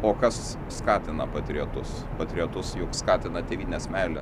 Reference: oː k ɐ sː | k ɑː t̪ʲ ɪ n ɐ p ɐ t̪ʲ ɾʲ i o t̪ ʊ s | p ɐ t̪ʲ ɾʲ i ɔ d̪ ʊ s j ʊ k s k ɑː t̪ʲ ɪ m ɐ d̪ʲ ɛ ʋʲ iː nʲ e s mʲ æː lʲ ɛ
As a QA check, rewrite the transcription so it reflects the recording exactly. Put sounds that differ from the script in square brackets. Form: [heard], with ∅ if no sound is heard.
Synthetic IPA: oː k ɐ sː | k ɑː t̪ʲ ɪ n ɐ p ɐ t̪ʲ ɾʲ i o t̪ ʊ s | p ɐ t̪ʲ ɾʲ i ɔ [t̪] ʊ s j ʊ k s k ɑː t̪ʲ ɪ [n] ɐ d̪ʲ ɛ ʋʲ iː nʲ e s mʲ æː lʲ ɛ

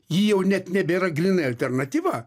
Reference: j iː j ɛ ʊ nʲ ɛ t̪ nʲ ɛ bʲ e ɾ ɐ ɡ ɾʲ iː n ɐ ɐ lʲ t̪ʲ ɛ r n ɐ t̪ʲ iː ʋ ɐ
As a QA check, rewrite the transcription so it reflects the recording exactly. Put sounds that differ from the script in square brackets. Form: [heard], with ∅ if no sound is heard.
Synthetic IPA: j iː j ɛ ʊ nʲ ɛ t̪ nʲ ɛ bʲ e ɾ ɐ ɡ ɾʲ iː n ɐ ɐ lʲ t̪ʲ ɛ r n ɐ t̪ʲ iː ʋ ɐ

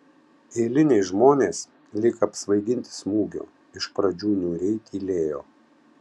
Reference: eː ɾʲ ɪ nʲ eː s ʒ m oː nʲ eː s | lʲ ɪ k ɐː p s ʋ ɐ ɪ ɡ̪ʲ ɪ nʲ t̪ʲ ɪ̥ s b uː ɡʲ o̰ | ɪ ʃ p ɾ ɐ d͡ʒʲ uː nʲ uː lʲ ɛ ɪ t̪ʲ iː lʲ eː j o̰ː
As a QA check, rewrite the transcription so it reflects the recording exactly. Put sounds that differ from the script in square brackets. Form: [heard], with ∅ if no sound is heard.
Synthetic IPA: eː [lʲ] ɪ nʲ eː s ʒ m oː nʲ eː s | lʲ ɪ k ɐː p s ʋ ɐ ɪ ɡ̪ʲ ɪ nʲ t̪ʲ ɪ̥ s [m] uː ɡʲ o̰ | ɪ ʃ p ɾ ɐ d͡ʒʲ uː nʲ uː [ɾʲ] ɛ ɪ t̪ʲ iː lʲ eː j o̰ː

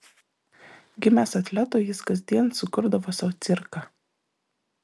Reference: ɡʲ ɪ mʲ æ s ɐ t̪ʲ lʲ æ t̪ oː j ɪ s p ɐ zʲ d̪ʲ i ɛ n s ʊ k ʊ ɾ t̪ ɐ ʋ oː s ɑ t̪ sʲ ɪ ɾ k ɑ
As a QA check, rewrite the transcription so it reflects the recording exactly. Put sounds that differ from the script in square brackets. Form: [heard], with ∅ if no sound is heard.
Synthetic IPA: ɡʲ ɪ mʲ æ s ɐ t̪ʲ lʲ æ t̪ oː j ɪ s [k] ɐ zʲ d̪ʲ i ɛ n s ʊ k ʊ ɾ [d̪] ɐ ʋ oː s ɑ t̪ sʲ ɪ ɾ k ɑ

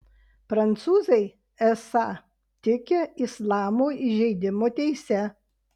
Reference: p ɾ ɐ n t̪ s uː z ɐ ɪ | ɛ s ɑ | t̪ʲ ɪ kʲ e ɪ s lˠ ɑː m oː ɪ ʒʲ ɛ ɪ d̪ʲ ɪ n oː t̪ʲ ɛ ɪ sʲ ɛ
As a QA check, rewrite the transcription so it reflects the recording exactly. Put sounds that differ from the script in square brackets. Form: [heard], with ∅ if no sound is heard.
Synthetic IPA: p ɾ ɐ n t̪ s uː z ɐ ɪ | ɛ s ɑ | t̪ʲ ɪ kʲ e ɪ s lˠ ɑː m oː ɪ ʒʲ ɛ ɪ d̪ʲ ɪ [m] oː t̪ʲ ɛ ɪ sʲ ɛ

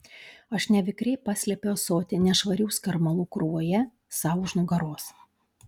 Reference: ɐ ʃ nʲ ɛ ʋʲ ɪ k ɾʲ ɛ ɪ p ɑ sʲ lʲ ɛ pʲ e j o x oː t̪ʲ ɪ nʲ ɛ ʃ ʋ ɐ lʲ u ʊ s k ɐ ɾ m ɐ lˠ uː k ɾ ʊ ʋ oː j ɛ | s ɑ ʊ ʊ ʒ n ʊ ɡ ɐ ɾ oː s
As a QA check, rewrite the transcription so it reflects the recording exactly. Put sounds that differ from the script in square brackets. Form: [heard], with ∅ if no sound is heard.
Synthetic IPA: ɐ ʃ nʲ ɛ ʋʲ ɪ k ɾʲ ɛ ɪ p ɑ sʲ lʲ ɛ pʲ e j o [s] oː t̪ʲ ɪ nʲ ɛ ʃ ʋ ɐ [ɾʲ] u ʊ s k ɐ ɾ m ɐ lˠ uː k ɾ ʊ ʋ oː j ɛ | s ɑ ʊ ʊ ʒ n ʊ ɡ ɐ ɾ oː s

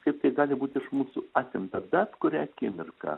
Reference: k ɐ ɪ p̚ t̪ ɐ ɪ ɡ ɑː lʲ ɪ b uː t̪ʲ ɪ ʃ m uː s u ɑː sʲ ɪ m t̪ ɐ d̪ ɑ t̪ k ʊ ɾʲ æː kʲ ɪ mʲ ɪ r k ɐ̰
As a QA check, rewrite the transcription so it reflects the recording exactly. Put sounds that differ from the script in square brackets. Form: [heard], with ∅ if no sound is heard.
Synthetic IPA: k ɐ ɪ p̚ t̪ ɐ ɪ ɡ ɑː lʲ ɪ b uː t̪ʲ ɪ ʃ m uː s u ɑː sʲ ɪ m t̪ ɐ d̪ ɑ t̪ k ʊ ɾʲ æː kʲ ɪ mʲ ɪ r k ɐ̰

